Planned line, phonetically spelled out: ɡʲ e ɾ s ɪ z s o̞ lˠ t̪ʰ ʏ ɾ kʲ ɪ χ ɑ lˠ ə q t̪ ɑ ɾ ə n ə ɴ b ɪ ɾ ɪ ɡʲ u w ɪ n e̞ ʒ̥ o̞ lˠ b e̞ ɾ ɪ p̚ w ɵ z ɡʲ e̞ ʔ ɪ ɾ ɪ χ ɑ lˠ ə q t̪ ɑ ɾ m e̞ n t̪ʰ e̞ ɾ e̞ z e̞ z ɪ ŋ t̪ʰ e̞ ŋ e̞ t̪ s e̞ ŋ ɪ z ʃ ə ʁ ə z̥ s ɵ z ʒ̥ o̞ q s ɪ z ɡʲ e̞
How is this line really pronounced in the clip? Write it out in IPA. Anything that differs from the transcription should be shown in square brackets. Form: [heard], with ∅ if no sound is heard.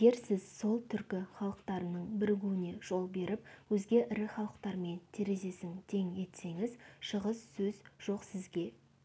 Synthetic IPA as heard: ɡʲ e ɾ s ɪ z s o̞ lˠ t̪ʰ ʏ ɾ kʲ ɪ χ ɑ lˠ ə q t̪ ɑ ɾ ə n ə ɴ b ɪ ɾ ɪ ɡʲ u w ɪ n e̞ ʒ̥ o̞ lˠ b e̞ ɾ ɪ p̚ w ɵ z ɡʲ e̞ ʔ ɪ ɾ ɪ χ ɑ lˠ ə q t̪ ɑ ɾ m e̞ n t̪ʰ e̞ ɾ e̞ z e̞ [s] ɪ ŋ t̪ʰ e̞ ŋ e̞ t̪ s e̞ ŋ ɪ z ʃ ə ʁ ə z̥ s ɵ z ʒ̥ o̞ q s ɪ z ɡʲ e̞